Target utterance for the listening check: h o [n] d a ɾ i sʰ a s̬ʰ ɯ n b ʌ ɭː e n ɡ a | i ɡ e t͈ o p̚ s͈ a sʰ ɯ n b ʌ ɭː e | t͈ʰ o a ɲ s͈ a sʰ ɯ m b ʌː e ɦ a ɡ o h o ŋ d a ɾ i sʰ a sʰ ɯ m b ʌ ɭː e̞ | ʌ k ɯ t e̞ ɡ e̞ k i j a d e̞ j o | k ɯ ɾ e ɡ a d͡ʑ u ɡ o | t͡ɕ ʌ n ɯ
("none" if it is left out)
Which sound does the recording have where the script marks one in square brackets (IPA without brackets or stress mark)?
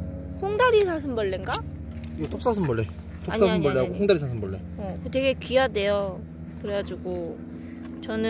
ŋ